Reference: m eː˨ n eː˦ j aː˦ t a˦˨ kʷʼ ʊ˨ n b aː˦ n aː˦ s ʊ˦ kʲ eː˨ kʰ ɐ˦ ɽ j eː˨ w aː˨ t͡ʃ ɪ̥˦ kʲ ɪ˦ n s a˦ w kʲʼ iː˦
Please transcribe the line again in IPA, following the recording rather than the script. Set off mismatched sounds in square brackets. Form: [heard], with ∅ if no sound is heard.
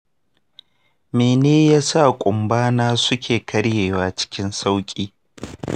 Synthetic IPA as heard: m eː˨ n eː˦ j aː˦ [s] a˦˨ kʷʼ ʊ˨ [m] b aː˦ n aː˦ s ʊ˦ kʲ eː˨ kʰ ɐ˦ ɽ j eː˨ w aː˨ t͡ʃ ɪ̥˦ kʲ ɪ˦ n s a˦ w kʲʼ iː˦